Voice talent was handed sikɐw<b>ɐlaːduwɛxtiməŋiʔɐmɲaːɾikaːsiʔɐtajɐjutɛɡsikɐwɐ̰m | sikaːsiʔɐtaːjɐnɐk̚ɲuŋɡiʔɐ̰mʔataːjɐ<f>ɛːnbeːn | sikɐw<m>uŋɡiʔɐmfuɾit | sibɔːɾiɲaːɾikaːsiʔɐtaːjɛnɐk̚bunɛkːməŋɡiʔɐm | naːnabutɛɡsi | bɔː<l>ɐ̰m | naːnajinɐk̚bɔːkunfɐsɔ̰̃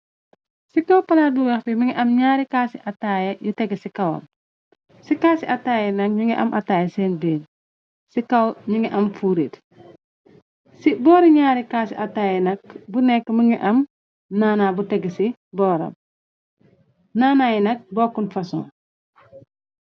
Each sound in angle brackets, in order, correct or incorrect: incorrect: p, incorrect: s, incorrect: ɲ, incorrect: ɾ

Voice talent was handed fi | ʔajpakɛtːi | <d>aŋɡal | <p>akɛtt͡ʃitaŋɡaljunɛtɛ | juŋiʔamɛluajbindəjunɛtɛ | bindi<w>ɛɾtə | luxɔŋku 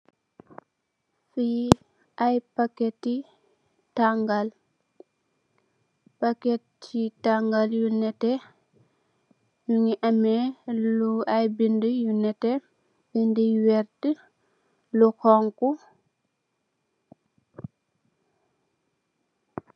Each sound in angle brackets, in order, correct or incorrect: incorrect: t, correct, correct

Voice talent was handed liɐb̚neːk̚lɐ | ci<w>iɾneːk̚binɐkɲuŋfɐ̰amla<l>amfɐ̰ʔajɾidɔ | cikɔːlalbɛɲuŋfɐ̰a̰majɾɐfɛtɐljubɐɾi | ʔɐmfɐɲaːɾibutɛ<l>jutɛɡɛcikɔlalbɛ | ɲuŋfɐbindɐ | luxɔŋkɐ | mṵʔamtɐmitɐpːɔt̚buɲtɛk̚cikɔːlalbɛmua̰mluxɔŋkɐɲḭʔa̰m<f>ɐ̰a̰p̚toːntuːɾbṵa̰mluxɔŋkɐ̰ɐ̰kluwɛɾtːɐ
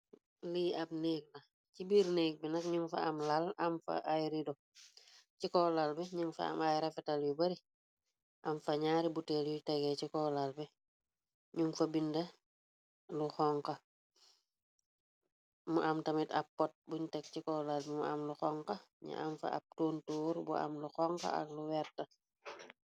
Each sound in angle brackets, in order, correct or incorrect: incorrect: b, correct, correct, correct

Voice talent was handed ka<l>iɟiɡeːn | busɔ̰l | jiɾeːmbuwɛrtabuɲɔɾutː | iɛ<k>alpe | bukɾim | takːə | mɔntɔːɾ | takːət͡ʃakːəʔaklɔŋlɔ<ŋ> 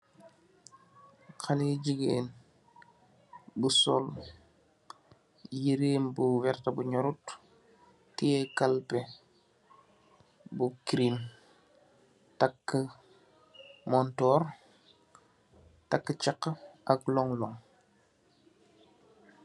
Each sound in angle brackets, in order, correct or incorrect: correct, correct, correct

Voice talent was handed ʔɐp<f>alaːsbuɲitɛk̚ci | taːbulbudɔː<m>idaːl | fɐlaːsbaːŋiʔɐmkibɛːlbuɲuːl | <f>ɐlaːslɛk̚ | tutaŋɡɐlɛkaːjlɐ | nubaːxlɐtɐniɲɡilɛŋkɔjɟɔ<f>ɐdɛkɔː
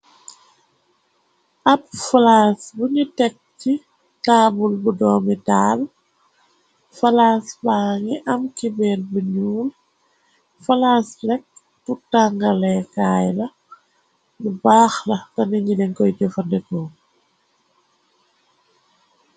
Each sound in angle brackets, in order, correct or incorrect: correct, correct, correct, correct

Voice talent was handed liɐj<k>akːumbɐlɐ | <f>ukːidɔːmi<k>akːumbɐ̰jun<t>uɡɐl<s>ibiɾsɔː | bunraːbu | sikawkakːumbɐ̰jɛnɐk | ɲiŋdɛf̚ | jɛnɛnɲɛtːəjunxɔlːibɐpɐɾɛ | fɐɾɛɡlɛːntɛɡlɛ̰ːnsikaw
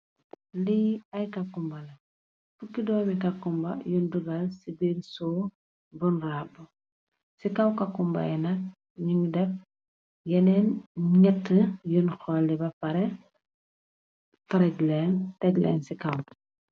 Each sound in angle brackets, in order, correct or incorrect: correct, correct, correct, incorrect: d, correct

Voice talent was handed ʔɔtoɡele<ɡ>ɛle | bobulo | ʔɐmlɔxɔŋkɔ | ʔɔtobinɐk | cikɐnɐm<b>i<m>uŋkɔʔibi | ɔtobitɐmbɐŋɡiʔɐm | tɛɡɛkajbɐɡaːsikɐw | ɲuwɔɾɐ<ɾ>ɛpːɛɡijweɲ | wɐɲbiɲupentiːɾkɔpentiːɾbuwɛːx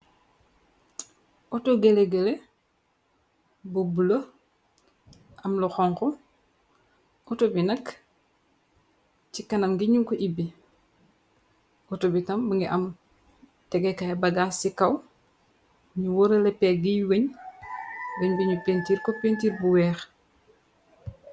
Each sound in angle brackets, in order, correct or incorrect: correct, incorrect: ɡ, incorrect: ɲ, incorrect: l

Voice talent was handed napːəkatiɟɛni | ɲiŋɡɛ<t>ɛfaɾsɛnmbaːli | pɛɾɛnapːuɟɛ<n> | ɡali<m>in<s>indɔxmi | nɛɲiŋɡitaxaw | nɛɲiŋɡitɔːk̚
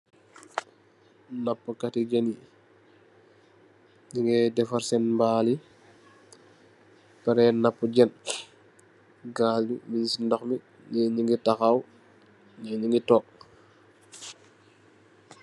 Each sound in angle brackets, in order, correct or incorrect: incorrect: d, correct, correct, correct

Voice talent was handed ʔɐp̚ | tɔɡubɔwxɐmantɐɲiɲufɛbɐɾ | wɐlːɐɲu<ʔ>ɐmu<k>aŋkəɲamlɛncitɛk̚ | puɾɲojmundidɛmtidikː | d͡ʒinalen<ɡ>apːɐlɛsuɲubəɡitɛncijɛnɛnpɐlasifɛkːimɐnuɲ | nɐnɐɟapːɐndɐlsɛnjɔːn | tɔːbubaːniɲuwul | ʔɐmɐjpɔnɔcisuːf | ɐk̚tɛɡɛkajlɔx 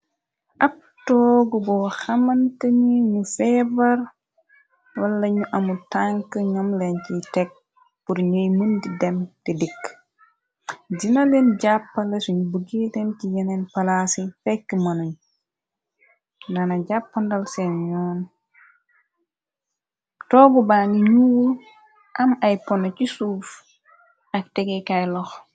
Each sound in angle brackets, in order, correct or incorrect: correct, incorrect: t, incorrect: ɟ

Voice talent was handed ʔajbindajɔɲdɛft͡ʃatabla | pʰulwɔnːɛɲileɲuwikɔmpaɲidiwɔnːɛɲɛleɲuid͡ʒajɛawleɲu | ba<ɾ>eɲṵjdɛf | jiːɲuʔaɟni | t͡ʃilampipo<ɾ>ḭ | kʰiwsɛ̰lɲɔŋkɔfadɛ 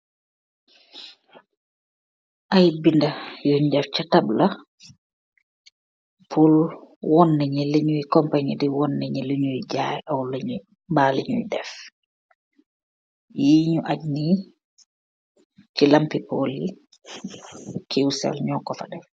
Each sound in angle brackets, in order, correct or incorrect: incorrect: l, incorrect: l

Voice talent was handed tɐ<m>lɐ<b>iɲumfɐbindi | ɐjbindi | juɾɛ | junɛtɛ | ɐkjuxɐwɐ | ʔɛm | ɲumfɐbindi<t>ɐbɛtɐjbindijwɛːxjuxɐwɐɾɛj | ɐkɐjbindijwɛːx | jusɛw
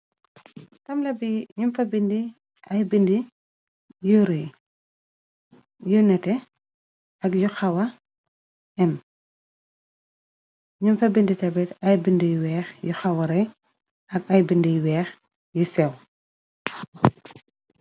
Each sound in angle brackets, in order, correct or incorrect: correct, correct, correct

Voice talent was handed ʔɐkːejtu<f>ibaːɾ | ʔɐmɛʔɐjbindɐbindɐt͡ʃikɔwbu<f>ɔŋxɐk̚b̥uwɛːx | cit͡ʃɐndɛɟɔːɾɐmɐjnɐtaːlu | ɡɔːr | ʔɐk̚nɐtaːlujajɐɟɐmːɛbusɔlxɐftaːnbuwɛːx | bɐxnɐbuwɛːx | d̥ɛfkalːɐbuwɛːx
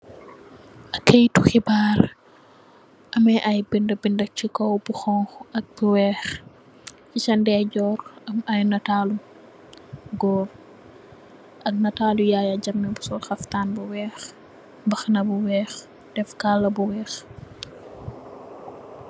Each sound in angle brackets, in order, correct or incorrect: incorrect: x, incorrect: x

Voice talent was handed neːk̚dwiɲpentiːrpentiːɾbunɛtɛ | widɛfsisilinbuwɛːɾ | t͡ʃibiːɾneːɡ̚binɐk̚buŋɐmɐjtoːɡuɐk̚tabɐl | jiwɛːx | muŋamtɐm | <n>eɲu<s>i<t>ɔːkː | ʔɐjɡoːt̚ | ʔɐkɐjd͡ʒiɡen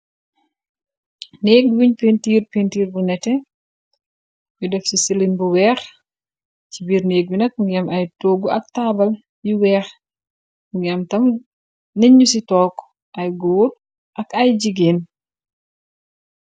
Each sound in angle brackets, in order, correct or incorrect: correct, correct, correct

